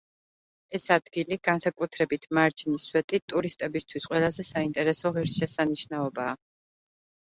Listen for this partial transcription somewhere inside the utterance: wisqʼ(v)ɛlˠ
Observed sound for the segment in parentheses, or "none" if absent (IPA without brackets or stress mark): w